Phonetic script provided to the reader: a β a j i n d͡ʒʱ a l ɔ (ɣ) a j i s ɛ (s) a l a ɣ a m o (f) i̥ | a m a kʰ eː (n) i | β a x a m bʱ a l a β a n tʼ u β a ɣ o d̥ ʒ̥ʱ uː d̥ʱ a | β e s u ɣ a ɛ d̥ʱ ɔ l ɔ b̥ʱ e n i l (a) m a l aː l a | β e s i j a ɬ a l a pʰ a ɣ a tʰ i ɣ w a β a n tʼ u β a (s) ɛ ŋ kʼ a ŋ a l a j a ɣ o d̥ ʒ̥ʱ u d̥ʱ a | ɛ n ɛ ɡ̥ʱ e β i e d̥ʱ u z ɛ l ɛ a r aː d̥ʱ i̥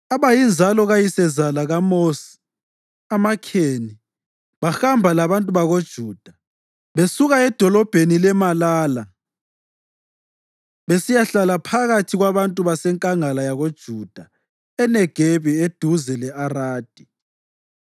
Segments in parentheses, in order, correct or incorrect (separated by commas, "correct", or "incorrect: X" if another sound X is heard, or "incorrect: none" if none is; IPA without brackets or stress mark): correct, incorrect: z, incorrect: s, correct, incorrect: ɛ, correct